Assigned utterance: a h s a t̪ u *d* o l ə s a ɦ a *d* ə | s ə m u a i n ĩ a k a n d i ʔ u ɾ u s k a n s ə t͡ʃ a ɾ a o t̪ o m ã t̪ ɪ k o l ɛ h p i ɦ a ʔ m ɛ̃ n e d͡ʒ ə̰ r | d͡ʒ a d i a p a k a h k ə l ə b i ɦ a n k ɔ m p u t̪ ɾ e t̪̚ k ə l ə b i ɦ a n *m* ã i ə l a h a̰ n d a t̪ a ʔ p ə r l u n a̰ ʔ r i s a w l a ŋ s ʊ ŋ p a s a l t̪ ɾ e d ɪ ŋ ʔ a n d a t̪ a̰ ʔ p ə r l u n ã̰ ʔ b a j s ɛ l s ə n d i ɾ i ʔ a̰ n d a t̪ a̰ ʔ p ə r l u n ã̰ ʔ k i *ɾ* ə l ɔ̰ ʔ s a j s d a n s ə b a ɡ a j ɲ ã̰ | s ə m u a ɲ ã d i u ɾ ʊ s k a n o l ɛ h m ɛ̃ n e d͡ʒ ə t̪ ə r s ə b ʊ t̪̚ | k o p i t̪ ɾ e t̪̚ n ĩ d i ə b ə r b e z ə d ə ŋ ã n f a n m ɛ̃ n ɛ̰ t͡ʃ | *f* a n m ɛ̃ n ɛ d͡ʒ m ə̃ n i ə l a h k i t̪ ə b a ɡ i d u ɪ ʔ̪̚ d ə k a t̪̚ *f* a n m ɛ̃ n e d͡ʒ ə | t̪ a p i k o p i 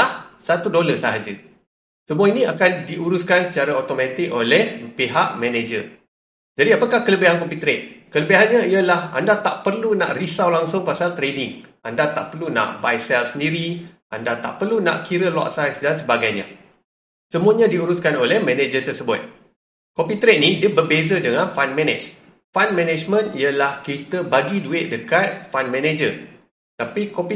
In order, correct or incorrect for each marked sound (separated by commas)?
correct, incorrect, incorrect, correct, correct, correct